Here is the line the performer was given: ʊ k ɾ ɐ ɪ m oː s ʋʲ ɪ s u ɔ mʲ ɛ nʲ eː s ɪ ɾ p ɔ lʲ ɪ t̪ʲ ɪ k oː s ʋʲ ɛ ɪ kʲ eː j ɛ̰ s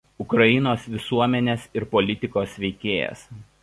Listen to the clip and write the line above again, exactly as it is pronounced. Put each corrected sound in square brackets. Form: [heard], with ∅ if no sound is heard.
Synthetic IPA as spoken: ʊ k ɾ ɐ ɪ [n] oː s ʋʲ ɪ s u ɔ mʲ ɛ nʲ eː s ɪ ɾ p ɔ lʲ ɪ t̪ʲ ɪ k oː s ʋʲ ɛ ɪ kʲ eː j ɛ̰ s

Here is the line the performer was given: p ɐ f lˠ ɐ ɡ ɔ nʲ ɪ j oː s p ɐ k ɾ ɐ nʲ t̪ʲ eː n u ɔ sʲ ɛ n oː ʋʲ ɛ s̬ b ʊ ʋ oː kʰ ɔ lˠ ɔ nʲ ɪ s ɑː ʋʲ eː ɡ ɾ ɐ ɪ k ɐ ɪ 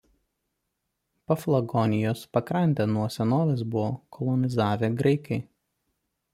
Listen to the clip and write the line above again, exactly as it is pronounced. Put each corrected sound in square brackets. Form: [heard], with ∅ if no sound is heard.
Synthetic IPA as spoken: p ɐ f lˠ ɐ ɡ ɔ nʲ ɪ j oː s p ɐ k ɾ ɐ nʲ t̪ʲ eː n u ɔ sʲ ɛ n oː ʋʲ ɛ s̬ b ʊ ʋ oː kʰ ɔ lˠ ɔ nʲ ɪ [z] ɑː ʋʲ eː ɡ ɾ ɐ ɪ k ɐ ɪ

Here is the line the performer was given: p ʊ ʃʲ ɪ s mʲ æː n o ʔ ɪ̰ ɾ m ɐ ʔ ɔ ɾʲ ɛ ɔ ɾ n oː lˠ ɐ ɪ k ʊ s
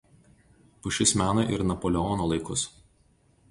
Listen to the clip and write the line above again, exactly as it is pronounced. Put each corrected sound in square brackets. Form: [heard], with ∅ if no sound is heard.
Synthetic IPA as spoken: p ʊ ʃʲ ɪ s mʲ æː n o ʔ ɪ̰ ɾ [n] ɐ [p] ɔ [lʲ] ɛ ɔ [∅] n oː lˠ ɐ ɪ k ʊ s

